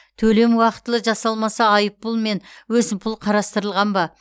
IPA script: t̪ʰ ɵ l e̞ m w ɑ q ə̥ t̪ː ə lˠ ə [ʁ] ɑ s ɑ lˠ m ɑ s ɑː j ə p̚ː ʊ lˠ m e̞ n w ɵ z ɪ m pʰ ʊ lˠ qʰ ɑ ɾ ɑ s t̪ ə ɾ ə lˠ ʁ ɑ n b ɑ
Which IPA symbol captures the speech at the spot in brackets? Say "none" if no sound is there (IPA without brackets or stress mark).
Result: ʒ